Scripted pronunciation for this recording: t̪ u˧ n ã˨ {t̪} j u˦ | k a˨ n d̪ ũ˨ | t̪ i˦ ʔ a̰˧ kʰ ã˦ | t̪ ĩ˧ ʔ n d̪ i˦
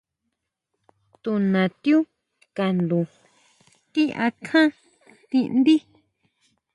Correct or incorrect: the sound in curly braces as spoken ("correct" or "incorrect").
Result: correct